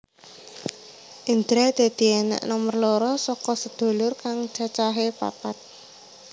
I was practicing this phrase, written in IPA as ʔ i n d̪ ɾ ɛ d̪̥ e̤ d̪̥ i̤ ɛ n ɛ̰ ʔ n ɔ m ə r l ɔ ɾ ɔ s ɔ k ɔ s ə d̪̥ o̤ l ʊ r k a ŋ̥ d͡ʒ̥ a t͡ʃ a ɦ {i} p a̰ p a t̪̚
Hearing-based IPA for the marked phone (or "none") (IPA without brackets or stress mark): e